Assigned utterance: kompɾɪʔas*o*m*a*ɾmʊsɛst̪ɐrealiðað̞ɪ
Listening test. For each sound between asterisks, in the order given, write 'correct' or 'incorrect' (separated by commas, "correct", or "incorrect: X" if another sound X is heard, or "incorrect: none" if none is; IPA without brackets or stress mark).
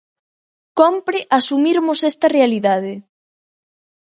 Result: incorrect: u, incorrect: i